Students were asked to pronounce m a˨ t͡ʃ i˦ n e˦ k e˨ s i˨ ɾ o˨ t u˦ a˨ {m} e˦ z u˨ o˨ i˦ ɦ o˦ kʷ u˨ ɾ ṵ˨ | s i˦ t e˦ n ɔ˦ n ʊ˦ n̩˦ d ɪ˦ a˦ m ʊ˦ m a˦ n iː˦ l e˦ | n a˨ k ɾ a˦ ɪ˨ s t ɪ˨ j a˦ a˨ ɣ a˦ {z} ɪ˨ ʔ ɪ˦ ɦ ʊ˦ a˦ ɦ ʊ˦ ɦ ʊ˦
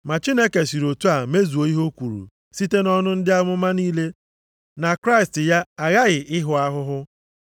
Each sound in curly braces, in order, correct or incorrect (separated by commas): correct, incorrect